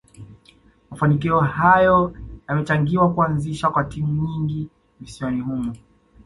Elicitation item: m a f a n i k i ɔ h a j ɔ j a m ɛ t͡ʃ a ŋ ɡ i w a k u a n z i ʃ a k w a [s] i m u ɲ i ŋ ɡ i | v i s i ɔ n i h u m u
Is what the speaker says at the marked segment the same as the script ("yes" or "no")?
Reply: no